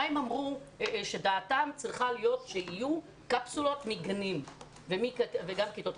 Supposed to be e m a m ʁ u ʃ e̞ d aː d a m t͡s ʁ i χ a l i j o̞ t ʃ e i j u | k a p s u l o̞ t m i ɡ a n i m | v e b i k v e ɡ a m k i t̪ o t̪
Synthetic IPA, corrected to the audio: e m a m ʁ u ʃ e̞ d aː t a m t͡s ʁ i χ a l i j o̞ t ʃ e i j u | k a p s u l o̞ t m i ɡ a n i m | v e m i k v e ɡ a m k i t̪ o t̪